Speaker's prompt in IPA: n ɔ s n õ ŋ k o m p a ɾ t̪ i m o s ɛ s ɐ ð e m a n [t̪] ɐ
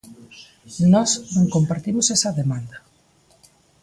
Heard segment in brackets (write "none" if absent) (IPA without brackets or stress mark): d̪